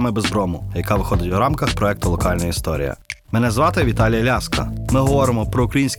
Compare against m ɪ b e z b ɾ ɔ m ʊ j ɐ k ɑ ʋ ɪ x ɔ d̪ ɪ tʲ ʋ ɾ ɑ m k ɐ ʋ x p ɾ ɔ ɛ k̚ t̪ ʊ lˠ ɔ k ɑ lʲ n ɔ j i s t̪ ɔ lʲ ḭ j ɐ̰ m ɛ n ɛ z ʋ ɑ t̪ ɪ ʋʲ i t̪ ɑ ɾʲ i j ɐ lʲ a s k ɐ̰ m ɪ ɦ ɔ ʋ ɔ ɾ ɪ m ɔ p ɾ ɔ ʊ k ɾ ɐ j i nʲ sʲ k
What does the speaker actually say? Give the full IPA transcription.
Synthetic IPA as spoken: m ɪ b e z b ɾ ɔ m ʊ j ɐ k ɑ ʋ ɪ x ɔ d̪ ɪ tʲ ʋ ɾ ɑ m k ɐ x p ɾ ɔ ɛ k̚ t̪ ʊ lˠ ɔ k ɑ lʲ n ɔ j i s t̪ ɔ ɾʲ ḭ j ɐ̰ m ɛ n ɛ z ʋ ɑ t̪ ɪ ʋʲ i t̪ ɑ lʲ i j ɐ lʲ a s k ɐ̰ m ɪ ɦ ɔ ʋ ɔ ɾ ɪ m ɔ p ɾ ɔ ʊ k ɾ ɐ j i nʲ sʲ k